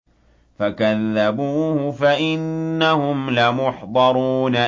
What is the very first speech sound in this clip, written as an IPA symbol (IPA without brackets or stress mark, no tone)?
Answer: f